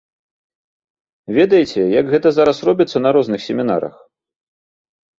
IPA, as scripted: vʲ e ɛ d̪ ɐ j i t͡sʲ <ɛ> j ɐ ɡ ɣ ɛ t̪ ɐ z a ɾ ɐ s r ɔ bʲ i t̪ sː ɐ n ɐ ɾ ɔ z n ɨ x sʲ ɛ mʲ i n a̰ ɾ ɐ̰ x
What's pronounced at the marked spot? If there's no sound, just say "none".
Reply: ɛ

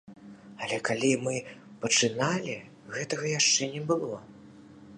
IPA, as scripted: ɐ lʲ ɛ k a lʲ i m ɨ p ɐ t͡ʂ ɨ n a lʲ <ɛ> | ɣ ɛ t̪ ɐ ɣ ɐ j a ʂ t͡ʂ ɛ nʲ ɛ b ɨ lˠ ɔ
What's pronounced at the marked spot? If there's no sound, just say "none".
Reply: i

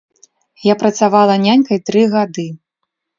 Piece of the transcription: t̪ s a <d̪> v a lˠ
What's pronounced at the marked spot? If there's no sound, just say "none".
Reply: none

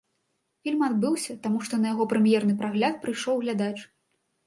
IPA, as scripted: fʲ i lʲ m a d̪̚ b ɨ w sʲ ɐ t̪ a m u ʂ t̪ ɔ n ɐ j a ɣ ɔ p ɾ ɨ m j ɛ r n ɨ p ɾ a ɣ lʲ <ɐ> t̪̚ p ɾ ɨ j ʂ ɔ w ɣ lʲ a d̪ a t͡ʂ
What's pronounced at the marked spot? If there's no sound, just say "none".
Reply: a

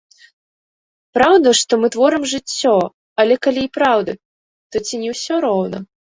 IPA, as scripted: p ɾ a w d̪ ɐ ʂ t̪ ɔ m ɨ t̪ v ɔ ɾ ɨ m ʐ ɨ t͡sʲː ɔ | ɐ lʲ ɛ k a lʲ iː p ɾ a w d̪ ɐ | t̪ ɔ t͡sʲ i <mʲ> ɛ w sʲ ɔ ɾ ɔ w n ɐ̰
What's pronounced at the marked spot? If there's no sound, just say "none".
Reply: nʲ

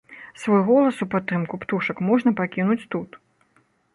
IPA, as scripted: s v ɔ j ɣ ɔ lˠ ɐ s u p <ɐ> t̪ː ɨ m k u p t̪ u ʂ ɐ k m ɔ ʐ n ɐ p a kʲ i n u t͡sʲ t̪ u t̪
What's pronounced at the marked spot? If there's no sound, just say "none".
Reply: a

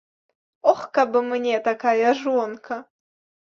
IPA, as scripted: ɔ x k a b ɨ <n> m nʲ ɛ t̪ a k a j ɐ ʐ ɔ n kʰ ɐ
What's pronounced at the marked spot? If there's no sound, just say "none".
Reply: none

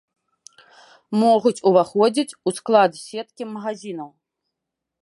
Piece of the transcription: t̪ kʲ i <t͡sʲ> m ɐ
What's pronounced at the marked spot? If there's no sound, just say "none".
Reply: none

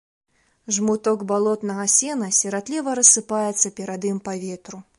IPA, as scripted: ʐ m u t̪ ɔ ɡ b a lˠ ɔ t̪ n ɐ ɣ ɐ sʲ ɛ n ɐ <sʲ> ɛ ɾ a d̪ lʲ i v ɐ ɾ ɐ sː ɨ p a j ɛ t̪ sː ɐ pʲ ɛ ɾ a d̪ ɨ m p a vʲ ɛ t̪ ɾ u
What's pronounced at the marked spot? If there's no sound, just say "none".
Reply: sʲ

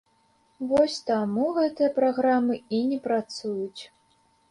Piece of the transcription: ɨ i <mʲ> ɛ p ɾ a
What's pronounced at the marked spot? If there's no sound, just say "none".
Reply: nʲ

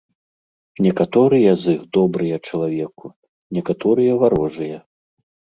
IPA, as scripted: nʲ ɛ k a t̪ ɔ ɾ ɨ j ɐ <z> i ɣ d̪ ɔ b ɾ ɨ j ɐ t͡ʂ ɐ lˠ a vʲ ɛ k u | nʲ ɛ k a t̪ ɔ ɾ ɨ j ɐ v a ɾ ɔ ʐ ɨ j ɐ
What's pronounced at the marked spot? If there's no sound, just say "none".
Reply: z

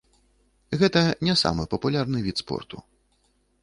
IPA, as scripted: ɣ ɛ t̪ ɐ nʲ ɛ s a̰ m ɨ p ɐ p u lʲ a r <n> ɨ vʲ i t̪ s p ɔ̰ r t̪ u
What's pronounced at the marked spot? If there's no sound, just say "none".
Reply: n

